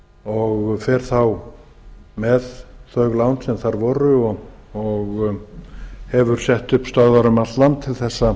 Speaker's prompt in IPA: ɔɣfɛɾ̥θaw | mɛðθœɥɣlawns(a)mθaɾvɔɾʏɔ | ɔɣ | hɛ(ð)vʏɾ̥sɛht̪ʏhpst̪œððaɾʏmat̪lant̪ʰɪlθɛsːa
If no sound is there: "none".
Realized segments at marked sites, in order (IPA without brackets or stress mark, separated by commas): ɛ, none